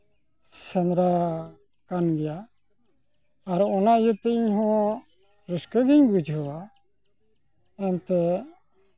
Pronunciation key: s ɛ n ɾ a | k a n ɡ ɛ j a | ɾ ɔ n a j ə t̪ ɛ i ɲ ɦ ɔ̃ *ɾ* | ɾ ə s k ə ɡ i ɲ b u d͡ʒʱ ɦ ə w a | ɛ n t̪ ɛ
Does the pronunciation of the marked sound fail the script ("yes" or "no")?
yes